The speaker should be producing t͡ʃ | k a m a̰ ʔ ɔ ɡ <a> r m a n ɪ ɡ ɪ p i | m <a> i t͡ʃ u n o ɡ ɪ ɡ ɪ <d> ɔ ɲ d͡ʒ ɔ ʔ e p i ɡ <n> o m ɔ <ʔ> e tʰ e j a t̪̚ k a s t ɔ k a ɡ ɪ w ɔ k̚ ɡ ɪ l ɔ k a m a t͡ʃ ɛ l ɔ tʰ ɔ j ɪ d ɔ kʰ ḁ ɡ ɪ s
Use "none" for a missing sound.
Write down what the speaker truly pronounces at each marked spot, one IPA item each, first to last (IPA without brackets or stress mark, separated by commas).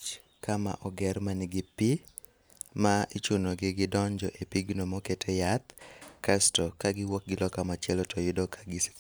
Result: ɛ, a, d, n, k